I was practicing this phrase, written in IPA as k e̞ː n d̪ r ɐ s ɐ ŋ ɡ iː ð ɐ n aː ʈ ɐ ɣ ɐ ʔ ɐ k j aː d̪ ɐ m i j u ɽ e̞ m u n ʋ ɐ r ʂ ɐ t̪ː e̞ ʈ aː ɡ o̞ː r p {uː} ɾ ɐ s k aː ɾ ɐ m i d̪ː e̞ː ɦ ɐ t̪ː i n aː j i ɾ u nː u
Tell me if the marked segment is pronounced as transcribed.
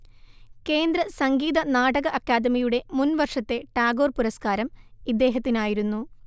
no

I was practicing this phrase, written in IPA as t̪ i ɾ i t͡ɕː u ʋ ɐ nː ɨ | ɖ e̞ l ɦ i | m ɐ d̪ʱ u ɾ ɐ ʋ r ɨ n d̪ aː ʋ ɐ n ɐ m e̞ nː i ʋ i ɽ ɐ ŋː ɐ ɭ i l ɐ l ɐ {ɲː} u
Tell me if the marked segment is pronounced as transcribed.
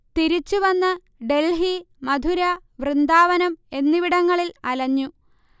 yes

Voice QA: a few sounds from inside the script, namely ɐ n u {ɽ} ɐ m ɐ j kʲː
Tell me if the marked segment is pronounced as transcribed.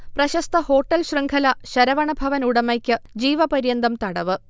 yes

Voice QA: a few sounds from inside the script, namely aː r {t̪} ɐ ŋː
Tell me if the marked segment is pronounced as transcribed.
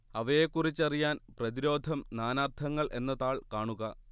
no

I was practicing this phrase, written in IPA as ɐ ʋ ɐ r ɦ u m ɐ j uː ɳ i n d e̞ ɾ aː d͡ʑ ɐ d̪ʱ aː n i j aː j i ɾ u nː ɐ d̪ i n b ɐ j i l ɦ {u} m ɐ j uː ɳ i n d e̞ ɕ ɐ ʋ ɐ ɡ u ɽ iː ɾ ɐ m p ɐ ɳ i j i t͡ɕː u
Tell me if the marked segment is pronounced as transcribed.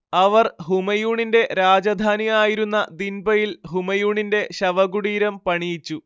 yes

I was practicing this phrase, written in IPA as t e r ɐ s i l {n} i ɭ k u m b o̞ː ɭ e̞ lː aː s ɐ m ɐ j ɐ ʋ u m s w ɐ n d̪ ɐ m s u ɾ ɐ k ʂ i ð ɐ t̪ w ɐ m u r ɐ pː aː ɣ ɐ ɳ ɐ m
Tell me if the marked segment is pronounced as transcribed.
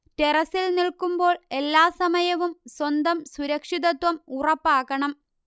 yes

